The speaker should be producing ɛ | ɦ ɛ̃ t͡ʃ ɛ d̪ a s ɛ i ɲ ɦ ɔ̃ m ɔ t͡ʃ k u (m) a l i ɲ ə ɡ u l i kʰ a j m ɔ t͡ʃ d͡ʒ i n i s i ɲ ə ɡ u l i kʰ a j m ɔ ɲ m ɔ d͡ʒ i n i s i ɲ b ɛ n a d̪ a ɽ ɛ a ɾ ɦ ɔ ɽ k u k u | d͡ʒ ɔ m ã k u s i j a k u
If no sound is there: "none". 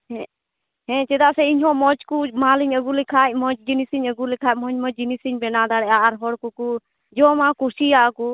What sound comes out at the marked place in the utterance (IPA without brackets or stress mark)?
m